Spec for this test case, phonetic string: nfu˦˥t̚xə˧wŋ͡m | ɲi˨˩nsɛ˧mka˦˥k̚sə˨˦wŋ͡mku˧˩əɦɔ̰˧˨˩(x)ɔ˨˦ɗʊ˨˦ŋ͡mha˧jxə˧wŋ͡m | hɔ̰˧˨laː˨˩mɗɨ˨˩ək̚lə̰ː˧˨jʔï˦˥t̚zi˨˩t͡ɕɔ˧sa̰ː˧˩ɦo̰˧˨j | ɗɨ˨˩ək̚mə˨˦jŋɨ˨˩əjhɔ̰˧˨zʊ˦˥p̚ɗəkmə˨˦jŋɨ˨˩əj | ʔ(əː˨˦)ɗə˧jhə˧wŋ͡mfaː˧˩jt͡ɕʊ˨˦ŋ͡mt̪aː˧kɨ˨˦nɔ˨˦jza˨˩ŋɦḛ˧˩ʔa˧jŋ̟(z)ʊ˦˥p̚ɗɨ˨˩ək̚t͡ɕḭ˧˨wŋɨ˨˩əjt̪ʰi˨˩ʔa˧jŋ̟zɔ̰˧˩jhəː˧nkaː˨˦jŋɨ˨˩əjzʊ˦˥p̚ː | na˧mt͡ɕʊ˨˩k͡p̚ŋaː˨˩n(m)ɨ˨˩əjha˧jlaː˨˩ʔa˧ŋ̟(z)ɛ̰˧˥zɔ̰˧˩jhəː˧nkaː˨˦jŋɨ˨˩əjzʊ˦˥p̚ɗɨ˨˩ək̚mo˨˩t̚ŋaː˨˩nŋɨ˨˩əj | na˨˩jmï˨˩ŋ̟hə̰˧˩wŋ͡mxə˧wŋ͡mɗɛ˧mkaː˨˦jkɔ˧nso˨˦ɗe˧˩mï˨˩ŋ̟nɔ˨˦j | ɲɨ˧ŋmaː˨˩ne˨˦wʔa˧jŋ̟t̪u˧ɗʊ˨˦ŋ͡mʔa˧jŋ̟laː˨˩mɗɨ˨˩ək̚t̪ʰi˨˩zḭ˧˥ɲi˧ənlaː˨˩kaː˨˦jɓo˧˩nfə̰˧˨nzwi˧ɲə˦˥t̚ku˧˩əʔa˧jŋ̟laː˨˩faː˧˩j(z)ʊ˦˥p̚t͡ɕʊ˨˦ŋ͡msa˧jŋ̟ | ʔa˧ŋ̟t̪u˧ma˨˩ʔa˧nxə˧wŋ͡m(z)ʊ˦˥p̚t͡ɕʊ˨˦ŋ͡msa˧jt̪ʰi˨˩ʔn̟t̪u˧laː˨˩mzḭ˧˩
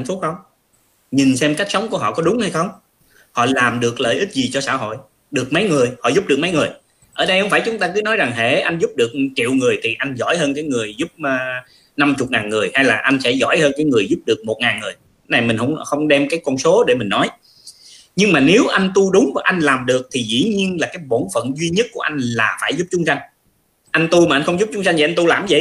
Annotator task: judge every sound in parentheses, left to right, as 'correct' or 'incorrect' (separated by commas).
incorrect, incorrect, correct, incorrect, incorrect, correct, correct